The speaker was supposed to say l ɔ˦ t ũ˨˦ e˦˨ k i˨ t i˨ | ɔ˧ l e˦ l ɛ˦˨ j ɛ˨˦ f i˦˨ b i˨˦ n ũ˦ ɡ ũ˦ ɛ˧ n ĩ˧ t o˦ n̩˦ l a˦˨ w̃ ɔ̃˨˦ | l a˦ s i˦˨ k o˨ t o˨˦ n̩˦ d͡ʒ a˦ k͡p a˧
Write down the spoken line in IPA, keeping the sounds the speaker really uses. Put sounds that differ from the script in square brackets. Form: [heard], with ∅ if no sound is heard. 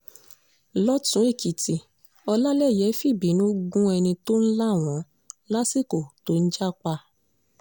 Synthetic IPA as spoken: l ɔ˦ t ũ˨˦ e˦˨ k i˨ t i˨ | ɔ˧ l [a˦] l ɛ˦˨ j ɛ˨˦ f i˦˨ b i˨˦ n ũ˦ ɡ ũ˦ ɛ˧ n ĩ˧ t o˦ n̩˦ l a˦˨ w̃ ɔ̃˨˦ | l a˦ s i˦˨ k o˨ t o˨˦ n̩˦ d͡ʒ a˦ k͡p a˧